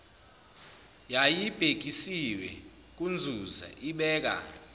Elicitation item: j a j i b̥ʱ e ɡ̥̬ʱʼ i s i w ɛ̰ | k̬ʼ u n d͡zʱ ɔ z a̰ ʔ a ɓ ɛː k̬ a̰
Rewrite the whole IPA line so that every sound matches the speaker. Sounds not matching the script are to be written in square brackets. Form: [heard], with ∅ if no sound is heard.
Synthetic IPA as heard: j a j i b̥ʱ e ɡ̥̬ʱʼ i s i w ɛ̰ | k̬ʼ u n d͡zʱ [u] z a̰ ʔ [i] ɓ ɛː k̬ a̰